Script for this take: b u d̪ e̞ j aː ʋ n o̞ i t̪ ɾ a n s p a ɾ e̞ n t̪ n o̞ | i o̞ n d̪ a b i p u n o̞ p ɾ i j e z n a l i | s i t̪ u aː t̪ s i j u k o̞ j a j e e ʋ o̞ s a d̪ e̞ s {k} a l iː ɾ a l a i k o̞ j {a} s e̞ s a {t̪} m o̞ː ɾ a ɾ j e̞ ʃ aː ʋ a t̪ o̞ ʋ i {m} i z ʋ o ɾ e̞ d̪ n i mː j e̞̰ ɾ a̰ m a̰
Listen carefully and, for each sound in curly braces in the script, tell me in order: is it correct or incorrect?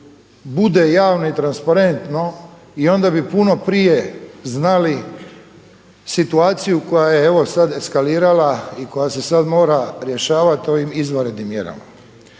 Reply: correct, correct, incorrect: d̪, correct

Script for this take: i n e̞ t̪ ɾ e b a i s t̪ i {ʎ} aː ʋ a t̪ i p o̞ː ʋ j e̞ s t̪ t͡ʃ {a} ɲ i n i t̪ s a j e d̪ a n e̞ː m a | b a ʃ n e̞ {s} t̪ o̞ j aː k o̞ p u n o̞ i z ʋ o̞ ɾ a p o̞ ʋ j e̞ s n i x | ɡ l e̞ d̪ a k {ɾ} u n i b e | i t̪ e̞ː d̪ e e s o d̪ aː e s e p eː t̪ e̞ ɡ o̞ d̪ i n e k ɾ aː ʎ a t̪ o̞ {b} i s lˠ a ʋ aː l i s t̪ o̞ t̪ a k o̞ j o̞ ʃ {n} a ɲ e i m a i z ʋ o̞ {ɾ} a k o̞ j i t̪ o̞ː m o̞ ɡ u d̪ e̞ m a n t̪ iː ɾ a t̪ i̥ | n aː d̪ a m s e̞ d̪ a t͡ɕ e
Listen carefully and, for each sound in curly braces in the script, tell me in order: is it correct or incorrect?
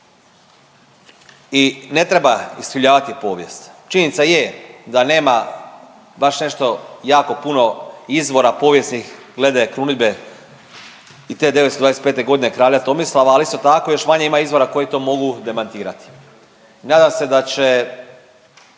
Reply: correct, incorrect: i, incorrect: ʃ, correct, incorrect: m, incorrect: m, correct

